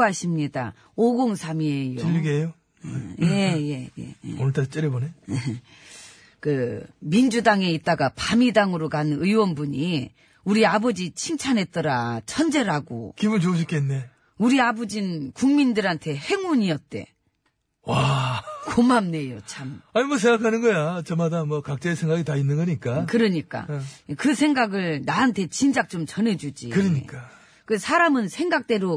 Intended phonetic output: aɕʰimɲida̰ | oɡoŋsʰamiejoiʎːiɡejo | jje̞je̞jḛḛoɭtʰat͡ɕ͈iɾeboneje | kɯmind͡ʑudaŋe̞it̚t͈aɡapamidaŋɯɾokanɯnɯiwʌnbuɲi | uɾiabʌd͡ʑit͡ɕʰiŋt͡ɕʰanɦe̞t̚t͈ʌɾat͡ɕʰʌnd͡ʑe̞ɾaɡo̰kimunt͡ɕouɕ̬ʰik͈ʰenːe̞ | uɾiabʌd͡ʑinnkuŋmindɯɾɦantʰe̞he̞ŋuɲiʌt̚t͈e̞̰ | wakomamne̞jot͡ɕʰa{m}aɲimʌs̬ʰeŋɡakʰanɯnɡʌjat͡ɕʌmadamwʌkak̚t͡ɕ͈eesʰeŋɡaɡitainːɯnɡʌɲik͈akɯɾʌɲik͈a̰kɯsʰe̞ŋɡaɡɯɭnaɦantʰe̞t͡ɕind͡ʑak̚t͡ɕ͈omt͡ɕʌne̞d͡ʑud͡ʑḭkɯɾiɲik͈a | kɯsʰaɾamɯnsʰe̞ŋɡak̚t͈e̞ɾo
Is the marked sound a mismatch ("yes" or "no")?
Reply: no